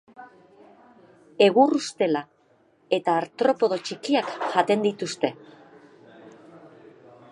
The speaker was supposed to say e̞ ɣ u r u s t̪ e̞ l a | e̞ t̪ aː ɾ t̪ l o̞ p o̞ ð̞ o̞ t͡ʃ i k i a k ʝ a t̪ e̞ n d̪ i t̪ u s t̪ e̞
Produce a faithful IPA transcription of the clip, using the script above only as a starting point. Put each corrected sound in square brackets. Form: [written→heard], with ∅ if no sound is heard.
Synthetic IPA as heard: e̞ ɣ u r u s t̪ e̞ l a | e̞ t̪ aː ɾ t̪ [l→ɾ] o̞ p o̞ ð̞ o̞ t͡ʃ i k i a k ʝ a t̪ e̞ n d̪ i t̪ u s t̪ e̞